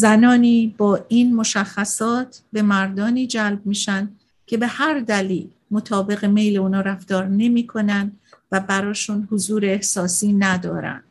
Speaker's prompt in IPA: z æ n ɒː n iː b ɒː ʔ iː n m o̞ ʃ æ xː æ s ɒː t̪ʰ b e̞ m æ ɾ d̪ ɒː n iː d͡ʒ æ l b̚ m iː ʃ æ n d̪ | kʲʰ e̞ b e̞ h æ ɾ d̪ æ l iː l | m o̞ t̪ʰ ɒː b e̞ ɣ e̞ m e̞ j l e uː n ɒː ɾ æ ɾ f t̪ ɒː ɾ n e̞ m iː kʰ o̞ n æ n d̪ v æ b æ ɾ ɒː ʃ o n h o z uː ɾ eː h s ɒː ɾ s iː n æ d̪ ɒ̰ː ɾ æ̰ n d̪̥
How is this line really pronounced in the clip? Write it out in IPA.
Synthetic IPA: z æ n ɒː n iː b ɒː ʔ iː n m o̞ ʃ æ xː æ s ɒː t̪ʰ b e̞ m æ ɾ d̪ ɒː n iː d͡ʒ æ l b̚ m iː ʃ æ n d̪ | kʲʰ e̞ b e̞ h æ ɾ d̪ æ l iː l | m o̞ t̪ʰ ɒː b e̞ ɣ e̞ m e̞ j l e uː n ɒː ɾ æ f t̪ ɒː ɾ n e̞ m iː kʰ o̞ n æ n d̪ v æ b æ ɾ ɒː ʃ u n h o z uː ɾ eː h s ɒː s iː n æ d̪ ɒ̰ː ɾ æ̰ n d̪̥